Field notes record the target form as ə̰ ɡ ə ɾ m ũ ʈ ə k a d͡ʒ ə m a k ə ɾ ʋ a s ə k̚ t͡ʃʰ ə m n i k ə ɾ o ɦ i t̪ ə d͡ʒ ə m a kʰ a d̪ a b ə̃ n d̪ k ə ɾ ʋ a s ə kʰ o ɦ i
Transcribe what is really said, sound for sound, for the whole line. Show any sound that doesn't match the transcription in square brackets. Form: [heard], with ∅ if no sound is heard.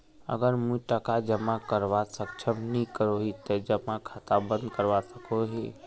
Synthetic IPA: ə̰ ɡ ə ɾ m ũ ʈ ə k a d͡ʒ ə m a k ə ɾ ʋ a s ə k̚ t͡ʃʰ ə m n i k ə ɾ o ɦ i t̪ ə d͡ʒ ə m a kʰ a [t̪] a b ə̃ n d̪ k ə ɾ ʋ a s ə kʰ o ɦ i